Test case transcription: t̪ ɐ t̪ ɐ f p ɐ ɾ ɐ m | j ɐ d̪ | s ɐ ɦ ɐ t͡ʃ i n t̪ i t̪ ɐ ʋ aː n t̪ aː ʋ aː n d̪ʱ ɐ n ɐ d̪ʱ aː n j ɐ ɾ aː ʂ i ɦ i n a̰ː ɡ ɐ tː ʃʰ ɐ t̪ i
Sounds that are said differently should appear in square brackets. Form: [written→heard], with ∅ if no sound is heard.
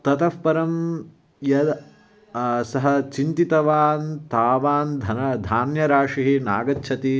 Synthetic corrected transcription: t̪ ɐ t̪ ɐ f p ɐ ɾ ɐ m | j ɐ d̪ | s ɐ ɦ ɐ t͡ʃ i n t̪ i t̪ ɐ ʋ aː n t̪ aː ʋ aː n d̪ʱ ɐ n ɐ d̪ʱ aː n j ɐ ɾ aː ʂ i ɦ i n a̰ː ɡ ɐ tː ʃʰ ɐ t̪ i